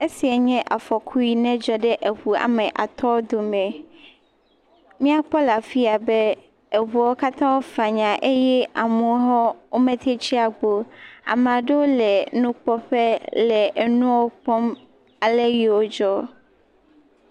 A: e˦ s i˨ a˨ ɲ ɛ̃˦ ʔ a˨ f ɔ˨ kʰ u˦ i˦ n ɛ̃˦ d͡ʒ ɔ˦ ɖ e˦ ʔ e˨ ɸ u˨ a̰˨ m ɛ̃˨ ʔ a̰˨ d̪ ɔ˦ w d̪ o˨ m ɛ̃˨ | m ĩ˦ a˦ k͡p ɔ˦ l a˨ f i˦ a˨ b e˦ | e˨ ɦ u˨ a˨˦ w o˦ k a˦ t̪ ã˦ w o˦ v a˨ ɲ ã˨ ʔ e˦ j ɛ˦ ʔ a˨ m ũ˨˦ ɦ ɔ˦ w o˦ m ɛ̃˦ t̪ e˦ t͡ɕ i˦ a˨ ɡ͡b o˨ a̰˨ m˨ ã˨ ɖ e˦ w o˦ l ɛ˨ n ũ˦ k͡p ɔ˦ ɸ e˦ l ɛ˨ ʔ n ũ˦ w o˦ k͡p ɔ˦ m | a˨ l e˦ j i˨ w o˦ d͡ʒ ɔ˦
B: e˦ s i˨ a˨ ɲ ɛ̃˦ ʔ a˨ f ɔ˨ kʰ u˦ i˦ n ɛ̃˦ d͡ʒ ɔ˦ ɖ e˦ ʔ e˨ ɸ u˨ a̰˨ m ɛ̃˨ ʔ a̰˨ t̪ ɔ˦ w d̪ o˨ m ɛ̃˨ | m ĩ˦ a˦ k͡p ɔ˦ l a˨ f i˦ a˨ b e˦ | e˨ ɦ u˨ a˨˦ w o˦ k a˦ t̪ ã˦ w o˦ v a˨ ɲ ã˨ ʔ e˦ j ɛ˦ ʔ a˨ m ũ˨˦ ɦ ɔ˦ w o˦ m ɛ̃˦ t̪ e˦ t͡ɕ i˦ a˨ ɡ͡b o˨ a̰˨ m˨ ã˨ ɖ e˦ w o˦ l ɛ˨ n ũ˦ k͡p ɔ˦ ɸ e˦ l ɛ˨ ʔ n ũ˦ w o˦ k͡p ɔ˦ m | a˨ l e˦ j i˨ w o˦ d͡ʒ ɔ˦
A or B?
B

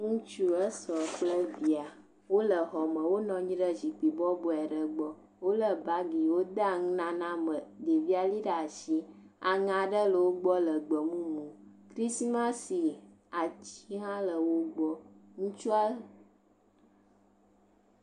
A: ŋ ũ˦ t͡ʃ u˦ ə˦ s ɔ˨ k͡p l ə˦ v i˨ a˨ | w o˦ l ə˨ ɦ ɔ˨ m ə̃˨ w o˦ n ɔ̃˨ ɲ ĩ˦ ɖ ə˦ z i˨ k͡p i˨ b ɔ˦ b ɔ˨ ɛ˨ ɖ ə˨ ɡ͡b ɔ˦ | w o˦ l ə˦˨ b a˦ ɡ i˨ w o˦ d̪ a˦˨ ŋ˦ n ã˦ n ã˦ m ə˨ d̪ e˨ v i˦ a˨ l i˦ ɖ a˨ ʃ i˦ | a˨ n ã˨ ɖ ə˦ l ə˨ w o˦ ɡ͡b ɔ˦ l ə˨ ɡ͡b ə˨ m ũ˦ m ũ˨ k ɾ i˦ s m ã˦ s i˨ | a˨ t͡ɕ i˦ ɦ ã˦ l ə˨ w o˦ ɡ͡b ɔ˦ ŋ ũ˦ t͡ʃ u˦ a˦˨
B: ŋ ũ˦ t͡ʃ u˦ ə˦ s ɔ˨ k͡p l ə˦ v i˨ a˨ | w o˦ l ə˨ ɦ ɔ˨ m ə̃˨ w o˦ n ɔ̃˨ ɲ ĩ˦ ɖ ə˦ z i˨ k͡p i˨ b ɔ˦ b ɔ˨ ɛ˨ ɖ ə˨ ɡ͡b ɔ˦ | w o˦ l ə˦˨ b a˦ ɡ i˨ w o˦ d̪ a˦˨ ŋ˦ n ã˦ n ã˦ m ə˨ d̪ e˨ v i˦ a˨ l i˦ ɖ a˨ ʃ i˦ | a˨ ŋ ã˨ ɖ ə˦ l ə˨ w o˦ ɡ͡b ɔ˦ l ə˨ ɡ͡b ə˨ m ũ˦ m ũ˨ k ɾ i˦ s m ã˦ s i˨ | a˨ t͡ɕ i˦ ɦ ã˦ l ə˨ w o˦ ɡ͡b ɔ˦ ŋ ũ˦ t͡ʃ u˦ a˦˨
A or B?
B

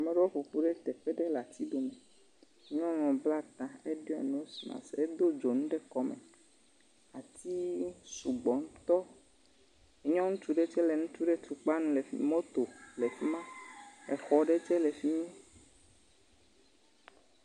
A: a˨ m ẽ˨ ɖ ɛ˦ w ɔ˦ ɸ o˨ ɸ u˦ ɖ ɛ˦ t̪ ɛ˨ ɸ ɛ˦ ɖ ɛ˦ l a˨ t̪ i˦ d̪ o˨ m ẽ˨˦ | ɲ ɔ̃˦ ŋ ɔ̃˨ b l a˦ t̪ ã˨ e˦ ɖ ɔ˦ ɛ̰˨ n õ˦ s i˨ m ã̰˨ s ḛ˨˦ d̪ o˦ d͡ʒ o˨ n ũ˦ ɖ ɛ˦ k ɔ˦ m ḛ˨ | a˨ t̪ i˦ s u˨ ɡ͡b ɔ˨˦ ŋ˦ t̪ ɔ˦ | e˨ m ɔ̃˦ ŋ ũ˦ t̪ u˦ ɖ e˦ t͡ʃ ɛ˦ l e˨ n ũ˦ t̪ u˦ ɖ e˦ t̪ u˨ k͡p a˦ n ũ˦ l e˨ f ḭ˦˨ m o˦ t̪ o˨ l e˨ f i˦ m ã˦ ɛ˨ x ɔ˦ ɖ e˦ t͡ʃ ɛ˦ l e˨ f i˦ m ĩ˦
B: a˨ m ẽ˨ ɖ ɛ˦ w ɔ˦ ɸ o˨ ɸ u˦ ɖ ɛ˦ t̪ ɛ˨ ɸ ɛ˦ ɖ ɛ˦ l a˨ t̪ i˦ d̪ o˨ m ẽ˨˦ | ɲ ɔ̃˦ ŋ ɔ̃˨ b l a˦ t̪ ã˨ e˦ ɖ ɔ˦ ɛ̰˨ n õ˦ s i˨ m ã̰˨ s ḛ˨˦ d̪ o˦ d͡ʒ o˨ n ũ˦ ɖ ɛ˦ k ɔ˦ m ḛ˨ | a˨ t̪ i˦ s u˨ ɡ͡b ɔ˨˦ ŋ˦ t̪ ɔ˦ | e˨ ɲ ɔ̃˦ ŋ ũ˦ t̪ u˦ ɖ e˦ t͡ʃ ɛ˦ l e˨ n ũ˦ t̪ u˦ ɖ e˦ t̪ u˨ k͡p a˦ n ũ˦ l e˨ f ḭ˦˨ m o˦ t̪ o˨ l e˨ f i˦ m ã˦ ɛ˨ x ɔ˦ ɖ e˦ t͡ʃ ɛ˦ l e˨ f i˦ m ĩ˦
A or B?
B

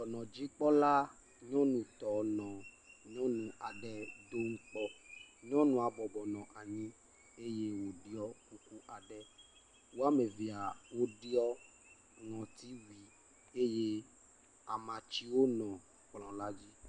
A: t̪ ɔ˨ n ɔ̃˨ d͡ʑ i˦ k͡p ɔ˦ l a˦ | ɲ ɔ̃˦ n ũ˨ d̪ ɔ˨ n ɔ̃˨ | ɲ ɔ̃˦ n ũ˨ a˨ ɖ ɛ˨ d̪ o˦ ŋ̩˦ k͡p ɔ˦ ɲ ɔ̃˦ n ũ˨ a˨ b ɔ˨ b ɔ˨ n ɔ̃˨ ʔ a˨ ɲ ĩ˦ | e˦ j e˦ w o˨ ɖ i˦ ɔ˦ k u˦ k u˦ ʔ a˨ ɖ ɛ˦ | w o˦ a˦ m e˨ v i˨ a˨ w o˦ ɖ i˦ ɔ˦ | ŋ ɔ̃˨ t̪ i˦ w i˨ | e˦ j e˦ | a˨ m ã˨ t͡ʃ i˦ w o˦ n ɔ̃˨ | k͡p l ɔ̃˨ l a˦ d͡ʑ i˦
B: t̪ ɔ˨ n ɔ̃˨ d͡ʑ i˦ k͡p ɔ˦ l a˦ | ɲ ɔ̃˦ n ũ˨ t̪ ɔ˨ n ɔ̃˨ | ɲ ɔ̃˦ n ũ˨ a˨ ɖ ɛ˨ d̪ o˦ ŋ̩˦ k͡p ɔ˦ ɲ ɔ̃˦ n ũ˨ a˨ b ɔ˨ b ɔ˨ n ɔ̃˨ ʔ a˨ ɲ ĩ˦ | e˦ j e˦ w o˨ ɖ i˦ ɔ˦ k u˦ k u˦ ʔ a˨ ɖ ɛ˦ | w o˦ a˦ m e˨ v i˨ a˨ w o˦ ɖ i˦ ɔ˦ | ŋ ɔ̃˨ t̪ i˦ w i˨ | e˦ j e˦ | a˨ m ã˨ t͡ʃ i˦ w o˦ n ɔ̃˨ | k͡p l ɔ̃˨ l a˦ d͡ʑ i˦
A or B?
B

